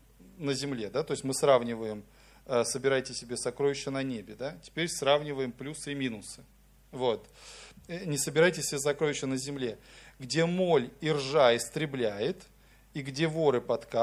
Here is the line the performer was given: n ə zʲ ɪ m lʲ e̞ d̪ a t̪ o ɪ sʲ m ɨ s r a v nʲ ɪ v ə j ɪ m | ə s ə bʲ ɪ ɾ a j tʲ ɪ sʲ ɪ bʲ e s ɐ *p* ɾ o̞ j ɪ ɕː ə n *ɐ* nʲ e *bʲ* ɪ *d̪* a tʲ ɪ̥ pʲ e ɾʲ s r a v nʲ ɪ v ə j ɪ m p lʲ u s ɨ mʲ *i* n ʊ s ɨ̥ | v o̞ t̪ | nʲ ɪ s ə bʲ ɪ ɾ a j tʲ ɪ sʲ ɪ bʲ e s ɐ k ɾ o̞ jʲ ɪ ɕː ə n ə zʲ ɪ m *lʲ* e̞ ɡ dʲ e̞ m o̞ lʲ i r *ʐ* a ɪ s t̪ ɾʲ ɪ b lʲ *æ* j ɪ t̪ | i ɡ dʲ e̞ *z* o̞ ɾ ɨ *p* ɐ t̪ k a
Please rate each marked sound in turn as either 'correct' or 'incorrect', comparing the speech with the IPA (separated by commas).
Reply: incorrect, correct, correct, correct, correct, correct, correct, correct, incorrect, correct